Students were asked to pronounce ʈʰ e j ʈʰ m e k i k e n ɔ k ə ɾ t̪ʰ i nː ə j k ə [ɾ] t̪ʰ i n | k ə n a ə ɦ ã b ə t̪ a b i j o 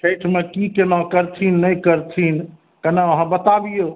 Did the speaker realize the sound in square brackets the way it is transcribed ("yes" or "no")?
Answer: yes